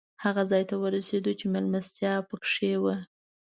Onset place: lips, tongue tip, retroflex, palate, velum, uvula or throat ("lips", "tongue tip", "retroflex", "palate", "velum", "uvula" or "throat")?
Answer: throat